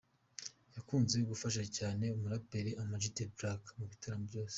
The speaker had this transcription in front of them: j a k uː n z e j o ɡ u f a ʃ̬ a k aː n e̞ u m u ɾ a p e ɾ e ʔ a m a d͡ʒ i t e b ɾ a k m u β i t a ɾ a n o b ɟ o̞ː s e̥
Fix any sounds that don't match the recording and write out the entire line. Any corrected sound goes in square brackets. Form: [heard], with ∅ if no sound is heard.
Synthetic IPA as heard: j a k uː n z e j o ɡ u f a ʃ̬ a [c] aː n e̞ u m u ɾ a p e ɾ e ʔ a m a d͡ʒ i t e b ɾ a k m u β i t a ɾ a [m] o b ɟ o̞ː s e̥